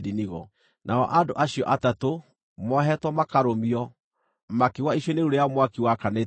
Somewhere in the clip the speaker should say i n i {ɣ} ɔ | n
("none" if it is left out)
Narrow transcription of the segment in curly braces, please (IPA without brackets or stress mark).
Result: ɣ